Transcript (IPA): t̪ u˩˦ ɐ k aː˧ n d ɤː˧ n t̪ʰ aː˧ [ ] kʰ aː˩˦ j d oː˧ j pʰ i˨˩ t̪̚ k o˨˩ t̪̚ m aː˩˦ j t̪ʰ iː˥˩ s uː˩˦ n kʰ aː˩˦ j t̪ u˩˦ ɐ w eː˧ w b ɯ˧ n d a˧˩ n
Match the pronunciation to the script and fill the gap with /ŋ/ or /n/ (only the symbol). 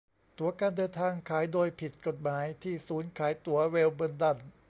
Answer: ŋ